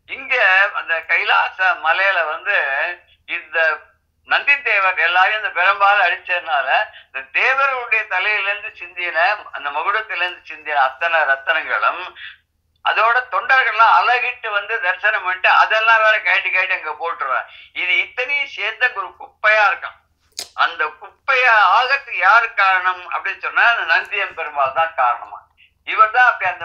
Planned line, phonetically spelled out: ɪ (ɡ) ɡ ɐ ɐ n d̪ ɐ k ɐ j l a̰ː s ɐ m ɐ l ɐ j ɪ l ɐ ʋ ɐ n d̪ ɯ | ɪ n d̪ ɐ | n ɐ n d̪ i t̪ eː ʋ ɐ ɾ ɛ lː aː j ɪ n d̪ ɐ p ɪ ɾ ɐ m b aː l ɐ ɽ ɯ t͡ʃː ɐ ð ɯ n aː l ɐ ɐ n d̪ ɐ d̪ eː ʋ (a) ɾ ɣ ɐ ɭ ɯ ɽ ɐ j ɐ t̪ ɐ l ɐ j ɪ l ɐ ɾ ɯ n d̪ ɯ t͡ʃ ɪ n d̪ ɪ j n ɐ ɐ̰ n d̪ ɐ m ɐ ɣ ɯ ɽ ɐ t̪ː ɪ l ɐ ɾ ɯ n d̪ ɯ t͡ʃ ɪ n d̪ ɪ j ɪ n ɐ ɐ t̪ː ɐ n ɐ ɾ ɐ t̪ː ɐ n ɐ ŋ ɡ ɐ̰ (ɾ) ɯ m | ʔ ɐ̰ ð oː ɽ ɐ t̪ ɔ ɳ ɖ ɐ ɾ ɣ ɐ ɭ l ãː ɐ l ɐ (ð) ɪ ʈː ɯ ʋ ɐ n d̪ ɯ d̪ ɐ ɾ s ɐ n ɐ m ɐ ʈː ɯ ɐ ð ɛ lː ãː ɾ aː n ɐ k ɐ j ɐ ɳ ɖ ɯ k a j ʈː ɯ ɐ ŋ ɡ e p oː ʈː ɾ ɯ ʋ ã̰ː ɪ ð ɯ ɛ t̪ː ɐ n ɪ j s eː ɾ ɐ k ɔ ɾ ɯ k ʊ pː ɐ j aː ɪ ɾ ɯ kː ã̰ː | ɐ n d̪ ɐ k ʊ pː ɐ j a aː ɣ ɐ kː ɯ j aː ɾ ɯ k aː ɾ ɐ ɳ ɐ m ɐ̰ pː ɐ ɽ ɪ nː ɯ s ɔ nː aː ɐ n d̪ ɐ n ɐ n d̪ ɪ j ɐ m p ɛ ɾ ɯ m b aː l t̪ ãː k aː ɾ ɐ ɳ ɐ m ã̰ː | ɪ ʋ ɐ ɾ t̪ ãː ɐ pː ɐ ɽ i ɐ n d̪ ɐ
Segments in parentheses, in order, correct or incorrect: incorrect: ŋ, incorrect: ɐ, incorrect: ɭ, incorrect: ɣ

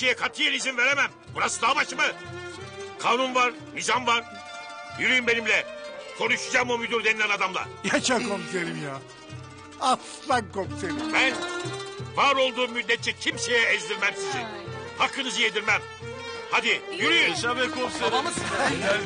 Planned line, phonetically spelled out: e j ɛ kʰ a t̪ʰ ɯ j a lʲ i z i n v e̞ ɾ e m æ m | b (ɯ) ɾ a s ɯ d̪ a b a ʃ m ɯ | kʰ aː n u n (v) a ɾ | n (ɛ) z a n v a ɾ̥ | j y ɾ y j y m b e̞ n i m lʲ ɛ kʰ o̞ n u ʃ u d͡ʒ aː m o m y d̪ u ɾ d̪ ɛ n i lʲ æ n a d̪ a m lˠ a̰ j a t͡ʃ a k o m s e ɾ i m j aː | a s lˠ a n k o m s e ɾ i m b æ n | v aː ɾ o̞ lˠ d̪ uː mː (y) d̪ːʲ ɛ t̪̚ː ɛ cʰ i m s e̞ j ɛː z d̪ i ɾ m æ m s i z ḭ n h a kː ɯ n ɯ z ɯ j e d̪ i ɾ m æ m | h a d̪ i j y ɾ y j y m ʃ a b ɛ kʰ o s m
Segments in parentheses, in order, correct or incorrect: incorrect: u, correct, incorrect: i, correct

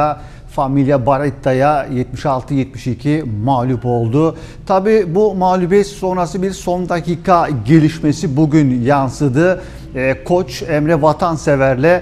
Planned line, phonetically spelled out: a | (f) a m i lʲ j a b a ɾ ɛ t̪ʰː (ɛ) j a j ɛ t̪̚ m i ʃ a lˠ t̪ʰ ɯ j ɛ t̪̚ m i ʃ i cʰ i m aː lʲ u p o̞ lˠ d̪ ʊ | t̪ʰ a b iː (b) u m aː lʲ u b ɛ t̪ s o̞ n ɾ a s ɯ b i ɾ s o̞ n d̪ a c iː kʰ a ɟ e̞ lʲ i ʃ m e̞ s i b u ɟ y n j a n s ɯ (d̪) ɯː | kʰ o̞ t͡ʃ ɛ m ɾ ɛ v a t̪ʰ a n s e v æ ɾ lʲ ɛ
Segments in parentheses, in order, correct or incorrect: correct, incorrect: a, correct, correct

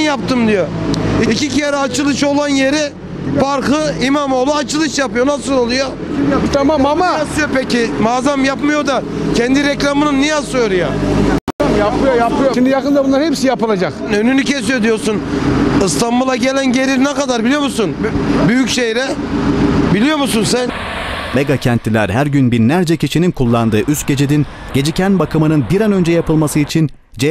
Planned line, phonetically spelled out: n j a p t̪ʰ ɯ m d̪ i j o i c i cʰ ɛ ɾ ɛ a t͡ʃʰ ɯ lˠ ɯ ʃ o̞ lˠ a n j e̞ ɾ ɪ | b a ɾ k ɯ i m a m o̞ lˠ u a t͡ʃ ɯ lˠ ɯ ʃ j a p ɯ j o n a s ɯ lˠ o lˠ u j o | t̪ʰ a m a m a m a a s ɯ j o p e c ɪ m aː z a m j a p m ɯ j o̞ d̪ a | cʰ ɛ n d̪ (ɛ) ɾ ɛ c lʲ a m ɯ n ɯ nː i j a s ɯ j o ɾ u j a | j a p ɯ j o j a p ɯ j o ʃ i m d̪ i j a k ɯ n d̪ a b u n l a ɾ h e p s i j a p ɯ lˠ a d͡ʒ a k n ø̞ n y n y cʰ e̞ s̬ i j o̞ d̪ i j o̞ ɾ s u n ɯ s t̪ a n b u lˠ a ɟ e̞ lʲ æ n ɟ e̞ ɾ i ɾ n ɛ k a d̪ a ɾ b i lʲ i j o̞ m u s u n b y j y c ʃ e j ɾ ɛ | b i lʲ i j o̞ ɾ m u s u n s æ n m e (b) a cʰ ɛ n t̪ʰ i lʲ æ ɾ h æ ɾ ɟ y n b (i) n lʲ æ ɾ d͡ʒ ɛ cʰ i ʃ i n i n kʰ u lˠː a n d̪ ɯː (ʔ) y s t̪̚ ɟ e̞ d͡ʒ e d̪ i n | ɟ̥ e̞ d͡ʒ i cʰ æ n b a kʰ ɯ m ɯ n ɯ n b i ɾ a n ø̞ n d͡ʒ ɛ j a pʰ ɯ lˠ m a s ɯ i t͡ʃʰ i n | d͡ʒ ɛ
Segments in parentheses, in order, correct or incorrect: incorrect: i, incorrect: ɡ, correct, correct

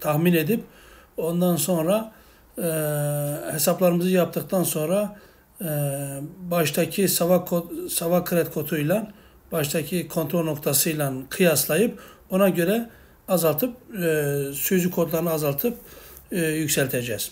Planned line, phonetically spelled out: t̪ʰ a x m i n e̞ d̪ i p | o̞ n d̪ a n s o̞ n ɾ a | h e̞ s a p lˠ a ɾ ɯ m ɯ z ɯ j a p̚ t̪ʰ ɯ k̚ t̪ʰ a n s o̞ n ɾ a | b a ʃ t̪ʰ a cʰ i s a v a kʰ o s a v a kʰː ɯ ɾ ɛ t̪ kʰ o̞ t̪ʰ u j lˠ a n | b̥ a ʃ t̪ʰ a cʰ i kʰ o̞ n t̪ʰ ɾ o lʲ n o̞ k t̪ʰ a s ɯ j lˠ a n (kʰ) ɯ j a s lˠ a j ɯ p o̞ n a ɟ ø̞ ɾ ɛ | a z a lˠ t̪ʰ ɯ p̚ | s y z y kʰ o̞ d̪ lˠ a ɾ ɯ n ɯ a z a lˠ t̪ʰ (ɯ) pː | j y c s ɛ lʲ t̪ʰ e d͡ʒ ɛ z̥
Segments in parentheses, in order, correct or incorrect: correct, correct

